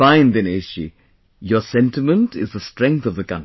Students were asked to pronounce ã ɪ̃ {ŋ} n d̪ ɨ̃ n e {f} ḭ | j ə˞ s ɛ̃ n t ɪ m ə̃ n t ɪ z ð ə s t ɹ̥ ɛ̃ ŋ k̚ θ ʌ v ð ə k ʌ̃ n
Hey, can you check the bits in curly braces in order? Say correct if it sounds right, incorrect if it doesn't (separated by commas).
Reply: incorrect, incorrect